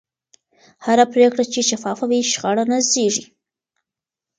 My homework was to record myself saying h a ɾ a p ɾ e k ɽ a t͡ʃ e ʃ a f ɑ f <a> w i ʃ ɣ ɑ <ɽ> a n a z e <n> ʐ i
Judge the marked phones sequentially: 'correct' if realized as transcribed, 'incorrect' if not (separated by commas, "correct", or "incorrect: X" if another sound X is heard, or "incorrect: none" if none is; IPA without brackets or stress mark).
correct, correct, incorrect: none